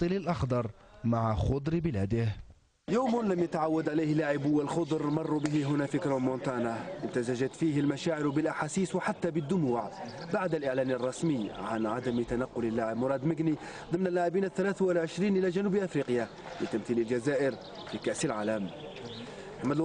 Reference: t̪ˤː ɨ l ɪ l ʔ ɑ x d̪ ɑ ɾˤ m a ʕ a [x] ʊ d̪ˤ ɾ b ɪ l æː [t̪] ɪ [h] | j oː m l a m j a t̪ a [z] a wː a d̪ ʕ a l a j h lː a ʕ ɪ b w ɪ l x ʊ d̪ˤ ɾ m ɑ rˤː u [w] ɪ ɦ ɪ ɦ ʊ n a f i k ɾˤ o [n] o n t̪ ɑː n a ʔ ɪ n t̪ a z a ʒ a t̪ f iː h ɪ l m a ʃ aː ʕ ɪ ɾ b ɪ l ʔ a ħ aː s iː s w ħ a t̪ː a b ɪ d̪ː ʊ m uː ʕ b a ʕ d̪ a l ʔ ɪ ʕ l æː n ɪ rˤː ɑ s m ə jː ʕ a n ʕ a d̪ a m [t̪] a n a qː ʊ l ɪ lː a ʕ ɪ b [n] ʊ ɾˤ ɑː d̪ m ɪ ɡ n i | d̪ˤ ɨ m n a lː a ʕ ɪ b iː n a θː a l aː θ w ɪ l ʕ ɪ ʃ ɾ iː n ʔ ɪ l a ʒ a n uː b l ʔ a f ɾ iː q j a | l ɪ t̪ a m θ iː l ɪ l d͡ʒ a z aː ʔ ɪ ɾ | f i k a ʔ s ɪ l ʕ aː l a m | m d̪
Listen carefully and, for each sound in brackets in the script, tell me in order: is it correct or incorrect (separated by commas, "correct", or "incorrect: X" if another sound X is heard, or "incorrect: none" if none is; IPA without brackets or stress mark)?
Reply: correct, incorrect: d̪, correct, incorrect: ʕ, incorrect: b, incorrect: m, correct, incorrect: m